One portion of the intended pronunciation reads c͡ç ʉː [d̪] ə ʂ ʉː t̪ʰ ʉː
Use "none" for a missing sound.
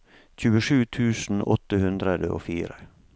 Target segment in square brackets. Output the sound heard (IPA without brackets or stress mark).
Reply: none